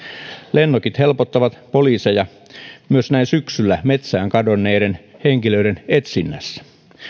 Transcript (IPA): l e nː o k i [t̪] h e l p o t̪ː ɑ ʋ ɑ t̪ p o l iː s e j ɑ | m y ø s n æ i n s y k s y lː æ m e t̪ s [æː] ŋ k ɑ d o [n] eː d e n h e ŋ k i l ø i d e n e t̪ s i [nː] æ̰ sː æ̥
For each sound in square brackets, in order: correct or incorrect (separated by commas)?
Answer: correct, correct, incorrect, correct